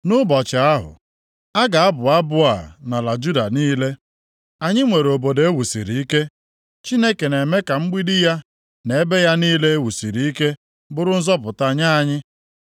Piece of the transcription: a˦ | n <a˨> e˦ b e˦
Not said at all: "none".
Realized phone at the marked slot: e˨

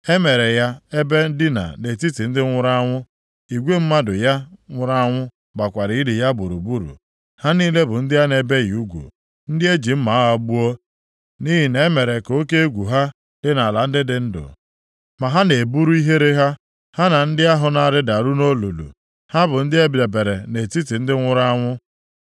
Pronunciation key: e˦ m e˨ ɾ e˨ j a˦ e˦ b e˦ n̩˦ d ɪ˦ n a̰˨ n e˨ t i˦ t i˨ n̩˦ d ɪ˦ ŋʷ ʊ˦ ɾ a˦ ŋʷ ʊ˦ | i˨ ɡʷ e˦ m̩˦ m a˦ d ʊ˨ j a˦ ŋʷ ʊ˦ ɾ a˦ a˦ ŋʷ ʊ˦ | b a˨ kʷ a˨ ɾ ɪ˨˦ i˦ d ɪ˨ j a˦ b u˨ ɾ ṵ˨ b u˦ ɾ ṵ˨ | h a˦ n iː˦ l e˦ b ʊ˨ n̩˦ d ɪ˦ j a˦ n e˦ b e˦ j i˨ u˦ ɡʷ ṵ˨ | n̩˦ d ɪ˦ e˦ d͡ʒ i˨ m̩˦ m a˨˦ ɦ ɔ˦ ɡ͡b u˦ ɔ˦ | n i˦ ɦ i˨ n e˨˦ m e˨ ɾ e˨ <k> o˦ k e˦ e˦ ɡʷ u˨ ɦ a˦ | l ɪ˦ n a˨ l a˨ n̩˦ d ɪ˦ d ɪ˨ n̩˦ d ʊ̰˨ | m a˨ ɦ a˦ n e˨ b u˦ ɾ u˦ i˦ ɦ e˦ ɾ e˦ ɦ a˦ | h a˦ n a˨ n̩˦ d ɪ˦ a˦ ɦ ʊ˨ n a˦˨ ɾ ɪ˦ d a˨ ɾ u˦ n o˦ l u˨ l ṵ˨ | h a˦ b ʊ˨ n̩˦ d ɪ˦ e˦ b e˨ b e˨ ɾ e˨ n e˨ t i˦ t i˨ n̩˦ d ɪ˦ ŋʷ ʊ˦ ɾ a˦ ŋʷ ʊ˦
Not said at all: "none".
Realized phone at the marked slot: k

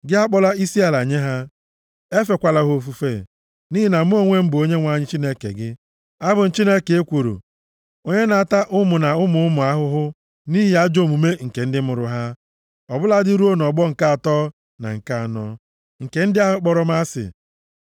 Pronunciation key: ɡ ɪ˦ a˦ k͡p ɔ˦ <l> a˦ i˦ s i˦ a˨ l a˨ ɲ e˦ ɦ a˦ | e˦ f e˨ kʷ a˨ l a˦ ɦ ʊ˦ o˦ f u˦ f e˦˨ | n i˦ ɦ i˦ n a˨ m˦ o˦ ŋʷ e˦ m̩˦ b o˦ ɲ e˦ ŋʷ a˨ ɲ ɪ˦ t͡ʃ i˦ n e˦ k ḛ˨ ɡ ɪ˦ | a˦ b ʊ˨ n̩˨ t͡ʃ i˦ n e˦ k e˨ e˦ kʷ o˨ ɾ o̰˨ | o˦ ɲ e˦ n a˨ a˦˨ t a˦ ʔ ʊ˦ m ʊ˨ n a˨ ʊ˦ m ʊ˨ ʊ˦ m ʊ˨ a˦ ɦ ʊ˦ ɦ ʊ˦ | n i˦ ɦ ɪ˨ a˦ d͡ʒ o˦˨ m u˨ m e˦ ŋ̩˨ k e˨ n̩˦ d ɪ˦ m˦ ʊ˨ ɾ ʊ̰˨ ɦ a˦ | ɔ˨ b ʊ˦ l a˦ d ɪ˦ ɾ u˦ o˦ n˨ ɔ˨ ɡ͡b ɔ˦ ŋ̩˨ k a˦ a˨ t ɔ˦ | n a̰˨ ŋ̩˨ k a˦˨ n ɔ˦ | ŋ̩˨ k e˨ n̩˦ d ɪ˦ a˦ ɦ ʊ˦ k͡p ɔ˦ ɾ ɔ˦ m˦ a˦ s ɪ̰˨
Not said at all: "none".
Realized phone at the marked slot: l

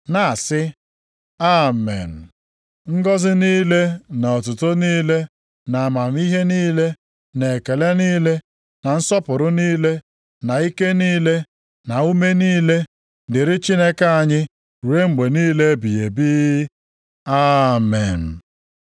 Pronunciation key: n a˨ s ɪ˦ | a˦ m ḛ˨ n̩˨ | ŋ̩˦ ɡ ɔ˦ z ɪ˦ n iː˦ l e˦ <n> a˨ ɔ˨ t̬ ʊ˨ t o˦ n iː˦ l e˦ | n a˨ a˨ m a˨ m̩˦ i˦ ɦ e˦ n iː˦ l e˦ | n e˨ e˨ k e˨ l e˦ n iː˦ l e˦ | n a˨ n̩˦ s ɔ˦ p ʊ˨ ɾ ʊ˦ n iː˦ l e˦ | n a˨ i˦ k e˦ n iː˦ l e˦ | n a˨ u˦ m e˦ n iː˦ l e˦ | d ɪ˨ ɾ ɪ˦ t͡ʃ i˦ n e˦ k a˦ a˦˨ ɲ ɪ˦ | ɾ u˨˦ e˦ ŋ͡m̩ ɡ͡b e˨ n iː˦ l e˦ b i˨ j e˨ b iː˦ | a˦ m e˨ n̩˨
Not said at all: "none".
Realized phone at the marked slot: n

